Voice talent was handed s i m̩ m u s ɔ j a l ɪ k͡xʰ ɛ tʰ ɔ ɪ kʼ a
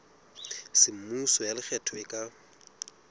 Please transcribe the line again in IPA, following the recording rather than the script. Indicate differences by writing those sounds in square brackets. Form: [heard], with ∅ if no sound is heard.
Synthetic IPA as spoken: s [ɪ] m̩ m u s ɔ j a l ɪ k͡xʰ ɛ tʰ ɔ ɪ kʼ a